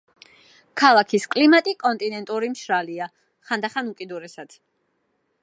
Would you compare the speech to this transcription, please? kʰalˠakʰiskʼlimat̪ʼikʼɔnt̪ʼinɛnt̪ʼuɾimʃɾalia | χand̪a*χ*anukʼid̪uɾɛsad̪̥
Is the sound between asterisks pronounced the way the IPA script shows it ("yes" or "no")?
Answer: yes